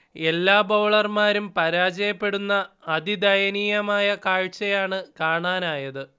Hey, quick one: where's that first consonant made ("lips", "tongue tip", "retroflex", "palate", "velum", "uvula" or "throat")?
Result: tongue tip